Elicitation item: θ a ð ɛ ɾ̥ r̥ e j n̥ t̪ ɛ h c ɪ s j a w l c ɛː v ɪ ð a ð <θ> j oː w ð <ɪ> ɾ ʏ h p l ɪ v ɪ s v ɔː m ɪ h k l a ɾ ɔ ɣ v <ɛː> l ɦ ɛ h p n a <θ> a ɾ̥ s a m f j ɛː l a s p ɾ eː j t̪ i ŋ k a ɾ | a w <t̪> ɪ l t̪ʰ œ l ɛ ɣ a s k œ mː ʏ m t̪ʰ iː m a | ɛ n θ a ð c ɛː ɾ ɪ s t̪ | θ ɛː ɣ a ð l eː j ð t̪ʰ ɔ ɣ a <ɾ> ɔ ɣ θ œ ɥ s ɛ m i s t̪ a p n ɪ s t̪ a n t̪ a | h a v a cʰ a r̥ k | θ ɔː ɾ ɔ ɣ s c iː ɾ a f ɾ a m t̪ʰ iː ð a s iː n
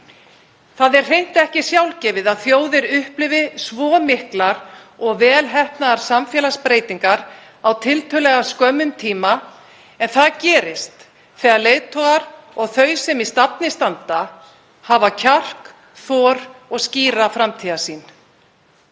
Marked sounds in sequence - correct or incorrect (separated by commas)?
correct, correct, correct, incorrect, incorrect, correct